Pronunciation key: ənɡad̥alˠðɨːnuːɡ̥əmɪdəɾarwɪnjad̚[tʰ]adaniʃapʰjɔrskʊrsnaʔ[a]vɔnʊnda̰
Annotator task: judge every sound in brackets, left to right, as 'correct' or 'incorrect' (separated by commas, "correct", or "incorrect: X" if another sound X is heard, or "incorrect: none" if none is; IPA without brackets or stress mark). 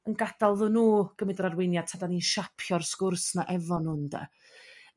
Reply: correct, incorrect: ɛ